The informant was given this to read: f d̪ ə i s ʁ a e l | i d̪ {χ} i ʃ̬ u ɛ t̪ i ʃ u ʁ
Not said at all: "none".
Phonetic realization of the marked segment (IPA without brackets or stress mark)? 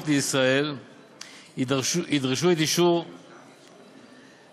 ʁ